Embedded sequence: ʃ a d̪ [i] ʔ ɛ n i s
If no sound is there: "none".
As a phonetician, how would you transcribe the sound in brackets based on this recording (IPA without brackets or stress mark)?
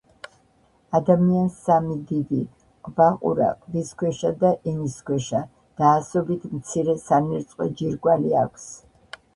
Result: a